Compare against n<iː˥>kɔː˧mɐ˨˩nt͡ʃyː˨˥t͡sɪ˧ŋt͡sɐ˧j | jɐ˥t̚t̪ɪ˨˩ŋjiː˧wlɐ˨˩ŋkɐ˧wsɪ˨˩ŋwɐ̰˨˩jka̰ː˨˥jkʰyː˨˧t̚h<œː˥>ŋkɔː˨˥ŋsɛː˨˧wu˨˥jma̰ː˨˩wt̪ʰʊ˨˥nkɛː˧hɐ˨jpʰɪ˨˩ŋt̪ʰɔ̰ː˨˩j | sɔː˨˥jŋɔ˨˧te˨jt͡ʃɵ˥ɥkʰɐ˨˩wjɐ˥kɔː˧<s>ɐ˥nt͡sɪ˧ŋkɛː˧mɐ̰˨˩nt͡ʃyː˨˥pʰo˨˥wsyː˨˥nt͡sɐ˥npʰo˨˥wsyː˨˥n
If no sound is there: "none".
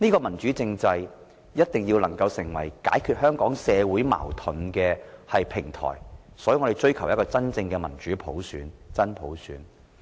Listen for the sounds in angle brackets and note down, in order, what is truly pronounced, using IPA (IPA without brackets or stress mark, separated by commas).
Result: iː˥, œː˥, t͡s